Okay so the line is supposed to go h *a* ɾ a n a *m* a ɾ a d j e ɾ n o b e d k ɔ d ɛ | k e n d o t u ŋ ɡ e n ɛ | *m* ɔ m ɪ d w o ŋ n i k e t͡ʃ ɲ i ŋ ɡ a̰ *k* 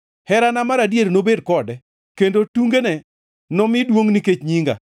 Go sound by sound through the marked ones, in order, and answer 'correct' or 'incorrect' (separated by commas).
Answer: incorrect, correct, incorrect, incorrect